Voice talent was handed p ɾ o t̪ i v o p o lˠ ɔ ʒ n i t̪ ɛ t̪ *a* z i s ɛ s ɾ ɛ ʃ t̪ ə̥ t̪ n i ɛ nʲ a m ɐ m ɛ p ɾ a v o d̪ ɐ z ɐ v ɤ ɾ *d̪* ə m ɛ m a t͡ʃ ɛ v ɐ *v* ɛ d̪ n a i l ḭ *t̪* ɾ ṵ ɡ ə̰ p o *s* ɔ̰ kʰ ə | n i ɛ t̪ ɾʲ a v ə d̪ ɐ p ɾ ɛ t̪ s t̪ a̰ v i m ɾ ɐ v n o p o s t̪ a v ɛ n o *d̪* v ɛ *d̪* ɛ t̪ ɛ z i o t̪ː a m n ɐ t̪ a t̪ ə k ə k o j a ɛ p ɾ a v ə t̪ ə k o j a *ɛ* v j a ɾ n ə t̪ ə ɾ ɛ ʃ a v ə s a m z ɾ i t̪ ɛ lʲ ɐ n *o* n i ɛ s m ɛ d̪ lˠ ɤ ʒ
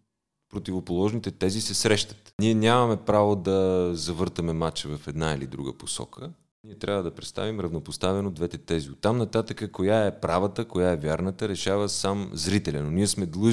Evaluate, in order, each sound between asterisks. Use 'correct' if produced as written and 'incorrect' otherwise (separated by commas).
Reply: incorrect, incorrect, incorrect, incorrect, correct, correct, incorrect, correct, correct